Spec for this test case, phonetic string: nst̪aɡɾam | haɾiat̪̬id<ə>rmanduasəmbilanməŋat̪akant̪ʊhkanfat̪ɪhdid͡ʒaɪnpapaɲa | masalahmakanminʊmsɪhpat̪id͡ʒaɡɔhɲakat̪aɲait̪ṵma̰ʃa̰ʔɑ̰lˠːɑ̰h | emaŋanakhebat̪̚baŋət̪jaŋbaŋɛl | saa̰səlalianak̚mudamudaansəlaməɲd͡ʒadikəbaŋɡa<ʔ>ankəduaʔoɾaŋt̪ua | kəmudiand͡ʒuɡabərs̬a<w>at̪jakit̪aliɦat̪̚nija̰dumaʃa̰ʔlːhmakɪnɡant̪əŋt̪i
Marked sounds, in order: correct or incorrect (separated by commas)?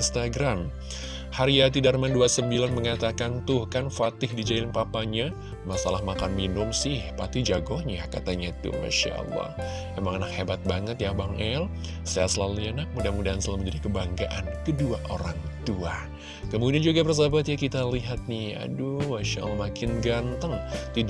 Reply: incorrect, correct, incorrect